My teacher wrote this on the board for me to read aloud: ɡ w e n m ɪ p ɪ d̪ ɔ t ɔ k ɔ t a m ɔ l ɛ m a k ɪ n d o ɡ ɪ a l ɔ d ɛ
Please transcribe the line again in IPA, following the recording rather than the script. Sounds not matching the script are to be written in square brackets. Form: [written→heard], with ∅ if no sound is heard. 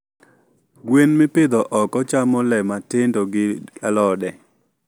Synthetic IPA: ɡ w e n m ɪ p ɪ d̪ ɔ [t→ʔ] ɔ k ɔ [t→t͡ʃ] a m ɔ l ɛ m a [k→t] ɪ n d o ɡ ɪ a l ɔ d ɛ